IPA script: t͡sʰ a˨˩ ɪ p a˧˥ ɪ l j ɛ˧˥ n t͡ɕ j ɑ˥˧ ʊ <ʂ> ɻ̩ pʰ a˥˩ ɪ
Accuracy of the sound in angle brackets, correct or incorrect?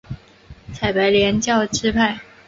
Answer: incorrect